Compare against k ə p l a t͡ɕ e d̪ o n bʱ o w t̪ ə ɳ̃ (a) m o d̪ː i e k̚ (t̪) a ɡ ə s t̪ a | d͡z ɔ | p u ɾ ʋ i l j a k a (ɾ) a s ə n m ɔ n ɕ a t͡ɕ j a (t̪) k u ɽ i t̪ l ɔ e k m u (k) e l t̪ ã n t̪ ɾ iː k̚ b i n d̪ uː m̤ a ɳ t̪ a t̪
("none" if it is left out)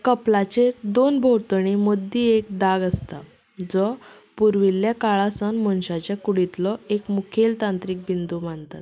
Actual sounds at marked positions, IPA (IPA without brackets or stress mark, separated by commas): i, d̪, ɭ, none, kʰ